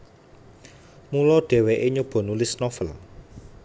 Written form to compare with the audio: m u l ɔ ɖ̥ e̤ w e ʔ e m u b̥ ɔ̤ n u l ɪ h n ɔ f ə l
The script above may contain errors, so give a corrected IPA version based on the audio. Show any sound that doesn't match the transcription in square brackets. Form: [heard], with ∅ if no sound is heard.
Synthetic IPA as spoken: m u l ɔ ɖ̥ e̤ w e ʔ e [ɲ] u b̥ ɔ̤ n u l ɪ [s] n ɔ f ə l